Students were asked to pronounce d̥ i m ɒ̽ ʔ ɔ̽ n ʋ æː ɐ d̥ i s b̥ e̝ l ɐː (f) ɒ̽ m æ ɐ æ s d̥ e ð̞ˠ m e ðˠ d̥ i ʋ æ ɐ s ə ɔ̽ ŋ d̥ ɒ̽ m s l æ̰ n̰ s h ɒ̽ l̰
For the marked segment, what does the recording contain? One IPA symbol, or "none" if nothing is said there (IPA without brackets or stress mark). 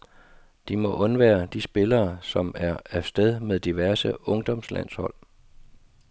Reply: s